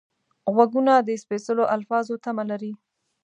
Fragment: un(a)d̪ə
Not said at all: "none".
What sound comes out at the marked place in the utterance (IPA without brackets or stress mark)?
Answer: a